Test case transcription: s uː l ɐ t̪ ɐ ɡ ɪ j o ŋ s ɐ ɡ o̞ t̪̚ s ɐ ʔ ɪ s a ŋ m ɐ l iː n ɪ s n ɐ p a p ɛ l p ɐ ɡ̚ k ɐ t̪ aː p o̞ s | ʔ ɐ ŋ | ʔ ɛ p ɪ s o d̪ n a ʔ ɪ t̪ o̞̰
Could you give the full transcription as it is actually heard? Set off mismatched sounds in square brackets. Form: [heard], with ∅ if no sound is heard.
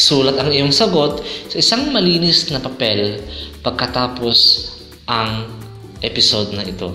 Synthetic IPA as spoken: s uː l ɐ t̪ ɐ [ŋ] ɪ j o ŋ s ɐ ɡ o̞ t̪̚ s ɐ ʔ ɪ s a ŋ m ɐ l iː n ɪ s n ɐ p [ɐ] p ɛ l p ɐ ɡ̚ k ɐ t̪ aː p o̞ s | ʔ ɐ ŋ | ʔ ɛ p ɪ s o d̪ n [ɐ] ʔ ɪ t̪ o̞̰